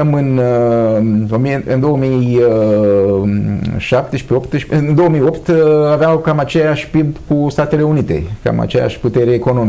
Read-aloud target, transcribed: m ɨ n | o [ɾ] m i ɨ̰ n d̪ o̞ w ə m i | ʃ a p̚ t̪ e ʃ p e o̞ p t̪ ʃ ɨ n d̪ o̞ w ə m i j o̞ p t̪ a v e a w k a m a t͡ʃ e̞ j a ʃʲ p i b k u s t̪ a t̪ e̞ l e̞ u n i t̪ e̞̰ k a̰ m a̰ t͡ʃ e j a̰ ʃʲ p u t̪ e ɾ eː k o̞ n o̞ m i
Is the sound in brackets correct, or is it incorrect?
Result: incorrect